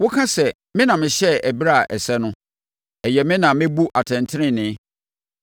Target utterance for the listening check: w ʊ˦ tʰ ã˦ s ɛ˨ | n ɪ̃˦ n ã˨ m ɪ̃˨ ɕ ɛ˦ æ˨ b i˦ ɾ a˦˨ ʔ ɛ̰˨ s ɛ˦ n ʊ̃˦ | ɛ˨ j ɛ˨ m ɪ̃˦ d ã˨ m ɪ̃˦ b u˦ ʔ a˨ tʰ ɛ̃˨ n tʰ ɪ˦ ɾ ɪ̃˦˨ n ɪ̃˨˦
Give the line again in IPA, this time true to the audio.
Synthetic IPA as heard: w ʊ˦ kʰ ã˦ s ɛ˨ | m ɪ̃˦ n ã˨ m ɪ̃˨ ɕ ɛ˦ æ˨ b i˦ ɾ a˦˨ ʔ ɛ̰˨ s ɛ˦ n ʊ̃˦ | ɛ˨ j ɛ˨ m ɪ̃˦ n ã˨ m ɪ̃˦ b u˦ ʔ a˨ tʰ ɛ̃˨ n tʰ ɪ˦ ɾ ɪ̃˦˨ n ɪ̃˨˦